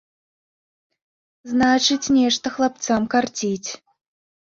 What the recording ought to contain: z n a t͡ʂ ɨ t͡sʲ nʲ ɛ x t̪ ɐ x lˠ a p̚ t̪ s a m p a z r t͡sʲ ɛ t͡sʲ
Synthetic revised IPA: z n a t͡ʂ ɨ t͡sʲ nʲ ɛ ʂ t̪ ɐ x lˠ a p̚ t̪ s a m k a r t͡sʲ i t͡sʲ

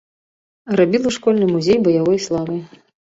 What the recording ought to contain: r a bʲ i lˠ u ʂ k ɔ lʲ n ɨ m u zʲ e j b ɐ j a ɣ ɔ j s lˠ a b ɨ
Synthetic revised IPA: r a bʲ i lˠ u ʂ k ɔ lʲ n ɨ m u zʲ e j b ɐ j a v ɔ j s lˠ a v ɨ

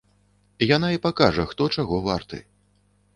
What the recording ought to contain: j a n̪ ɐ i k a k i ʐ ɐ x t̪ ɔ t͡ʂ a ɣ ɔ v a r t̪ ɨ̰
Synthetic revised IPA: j a n̪ a i p a k a ʐ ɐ x t̪ ɔ t͡ʂ a ɣ ɔ v a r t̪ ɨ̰

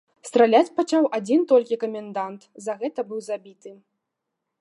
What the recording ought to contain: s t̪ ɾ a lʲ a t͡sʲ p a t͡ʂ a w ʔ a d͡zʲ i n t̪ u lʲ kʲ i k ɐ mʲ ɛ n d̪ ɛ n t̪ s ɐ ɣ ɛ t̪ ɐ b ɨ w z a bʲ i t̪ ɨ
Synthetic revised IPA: s t̪ ɾ a lʲ a t͡sʲ p a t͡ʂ a w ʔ a d͡zʲ i n t̪ ɔ lʲ kʲ i k ɐ mʲ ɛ n d̪ a n t̪ z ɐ ɣ ɛ t̪ ɐ b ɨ w z a bʲ i t̪ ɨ

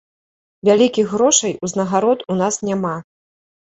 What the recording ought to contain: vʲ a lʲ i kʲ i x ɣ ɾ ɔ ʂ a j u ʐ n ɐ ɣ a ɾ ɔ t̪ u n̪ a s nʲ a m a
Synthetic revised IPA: vʲ a lʲ i kʲ i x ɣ ɾ ɔ ʂ ɐ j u z n ɐ ɣ a ɾ ɔ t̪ u n̪ a s nʲ a m a

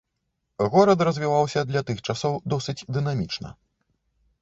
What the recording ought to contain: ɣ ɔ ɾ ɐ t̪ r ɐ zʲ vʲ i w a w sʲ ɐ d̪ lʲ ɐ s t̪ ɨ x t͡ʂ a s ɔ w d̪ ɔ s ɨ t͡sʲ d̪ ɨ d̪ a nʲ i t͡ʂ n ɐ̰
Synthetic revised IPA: ɣ ɔ ɾ ɐ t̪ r ɐ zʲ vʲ i v a w sʲ ɐ d̪ lʲ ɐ t̪ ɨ x t͡ʂ a s ɔ w d̪ ɔ s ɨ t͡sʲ d̪ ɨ n̪ a mʲ i t͡ʂ n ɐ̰

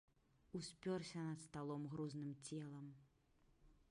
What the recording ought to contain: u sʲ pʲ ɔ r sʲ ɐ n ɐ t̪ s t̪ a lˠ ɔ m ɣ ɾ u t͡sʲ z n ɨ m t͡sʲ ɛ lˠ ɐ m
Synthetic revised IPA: u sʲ pʲ ɔ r sʲ ɐ n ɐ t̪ s t̪ a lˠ ɔ m ɣ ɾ u z n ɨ m t͡sʲ ɛ lˠ ɐ m

